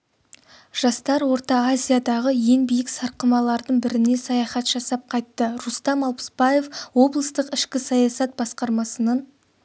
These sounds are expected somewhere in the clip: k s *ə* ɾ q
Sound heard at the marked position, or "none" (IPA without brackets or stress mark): ɑ